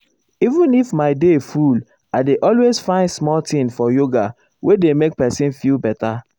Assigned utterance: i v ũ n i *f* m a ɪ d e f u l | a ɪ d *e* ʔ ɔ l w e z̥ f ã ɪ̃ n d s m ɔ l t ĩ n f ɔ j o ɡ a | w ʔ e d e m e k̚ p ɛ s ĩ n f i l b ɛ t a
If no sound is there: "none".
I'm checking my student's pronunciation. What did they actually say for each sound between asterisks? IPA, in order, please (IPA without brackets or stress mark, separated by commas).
f, e